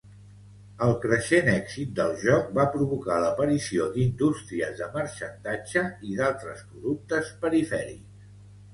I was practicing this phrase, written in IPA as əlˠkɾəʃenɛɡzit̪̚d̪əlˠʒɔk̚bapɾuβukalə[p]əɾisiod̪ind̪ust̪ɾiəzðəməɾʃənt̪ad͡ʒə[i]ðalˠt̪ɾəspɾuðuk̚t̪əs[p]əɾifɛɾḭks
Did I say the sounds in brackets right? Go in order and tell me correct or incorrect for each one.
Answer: correct, correct, correct

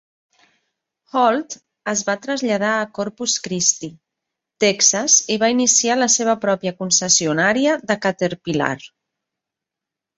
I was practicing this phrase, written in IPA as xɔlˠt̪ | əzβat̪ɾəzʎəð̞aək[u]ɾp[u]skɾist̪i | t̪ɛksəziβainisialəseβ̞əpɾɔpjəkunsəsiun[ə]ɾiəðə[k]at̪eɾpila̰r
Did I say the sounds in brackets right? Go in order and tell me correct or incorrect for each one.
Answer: incorrect, correct, incorrect, correct

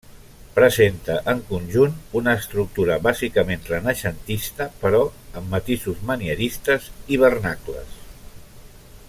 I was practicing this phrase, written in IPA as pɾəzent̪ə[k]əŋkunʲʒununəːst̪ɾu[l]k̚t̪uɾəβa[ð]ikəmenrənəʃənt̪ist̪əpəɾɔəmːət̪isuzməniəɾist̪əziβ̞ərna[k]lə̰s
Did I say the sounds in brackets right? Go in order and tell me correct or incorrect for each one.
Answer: incorrect, incorrect, incorrect, correct

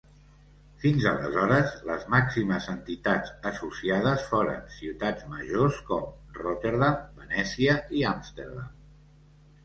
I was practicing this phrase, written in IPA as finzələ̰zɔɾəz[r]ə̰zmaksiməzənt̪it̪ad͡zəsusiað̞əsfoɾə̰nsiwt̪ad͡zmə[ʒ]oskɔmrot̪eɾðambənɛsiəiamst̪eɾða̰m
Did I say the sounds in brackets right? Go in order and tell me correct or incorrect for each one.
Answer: incorrect, correct

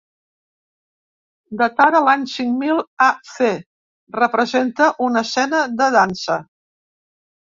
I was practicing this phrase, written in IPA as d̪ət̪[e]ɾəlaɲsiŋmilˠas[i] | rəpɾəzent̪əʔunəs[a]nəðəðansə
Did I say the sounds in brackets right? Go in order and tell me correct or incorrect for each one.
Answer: incorrect, incorrect, incorrect

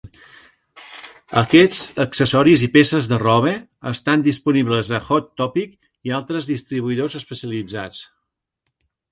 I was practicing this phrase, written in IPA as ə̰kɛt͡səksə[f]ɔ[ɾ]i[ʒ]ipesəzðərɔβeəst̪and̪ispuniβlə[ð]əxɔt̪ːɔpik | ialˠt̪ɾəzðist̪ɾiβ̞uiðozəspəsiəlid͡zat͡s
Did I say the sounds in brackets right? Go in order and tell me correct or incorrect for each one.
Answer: incorrect, correct, incorrect, incorrect

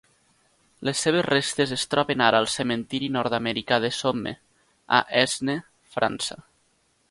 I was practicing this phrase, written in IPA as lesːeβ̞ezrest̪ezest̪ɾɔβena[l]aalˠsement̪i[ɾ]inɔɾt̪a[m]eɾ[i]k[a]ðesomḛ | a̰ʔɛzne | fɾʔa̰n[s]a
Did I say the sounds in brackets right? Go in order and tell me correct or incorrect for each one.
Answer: incorrect, correct, correct, correct, correct, correct

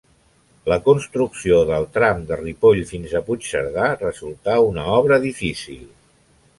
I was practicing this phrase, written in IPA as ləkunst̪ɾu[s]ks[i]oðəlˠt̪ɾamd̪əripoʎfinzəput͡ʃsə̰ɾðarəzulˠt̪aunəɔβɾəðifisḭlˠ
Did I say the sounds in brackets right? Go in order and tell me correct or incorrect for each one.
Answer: incorrect, correct

